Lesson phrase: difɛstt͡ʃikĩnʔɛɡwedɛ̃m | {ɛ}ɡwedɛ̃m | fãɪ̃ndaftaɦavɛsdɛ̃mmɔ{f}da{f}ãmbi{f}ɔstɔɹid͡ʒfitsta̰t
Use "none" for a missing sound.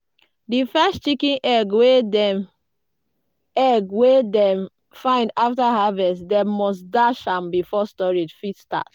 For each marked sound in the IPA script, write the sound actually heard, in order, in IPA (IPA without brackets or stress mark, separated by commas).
ɛ, s, ʃ, f